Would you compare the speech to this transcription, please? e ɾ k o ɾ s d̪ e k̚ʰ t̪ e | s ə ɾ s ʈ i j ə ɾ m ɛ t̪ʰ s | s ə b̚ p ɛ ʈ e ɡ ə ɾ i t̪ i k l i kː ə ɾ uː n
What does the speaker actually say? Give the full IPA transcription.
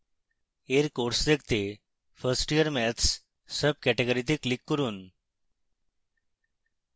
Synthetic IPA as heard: e ɾ k o ɾ s d̪ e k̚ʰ t̪ e | f ə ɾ s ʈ i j ə ɾ m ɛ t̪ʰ s | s ə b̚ k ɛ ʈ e ɡ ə ɾ i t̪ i k l i kː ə ɾ uː n